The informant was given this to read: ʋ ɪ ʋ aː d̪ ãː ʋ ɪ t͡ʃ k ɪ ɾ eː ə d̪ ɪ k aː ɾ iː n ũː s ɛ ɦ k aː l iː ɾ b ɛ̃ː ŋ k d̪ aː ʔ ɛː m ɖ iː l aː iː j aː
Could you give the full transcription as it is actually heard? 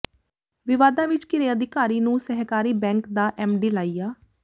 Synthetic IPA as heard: ʋ ɪ ʋ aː d̪ ãː ʋ ɪ t͡ʃ k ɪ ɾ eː ə d̪ ɪ k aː ɾ iː n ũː s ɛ ɦ k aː ɾ iː b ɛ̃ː ŋ k d̪ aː ʔ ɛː m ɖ iː l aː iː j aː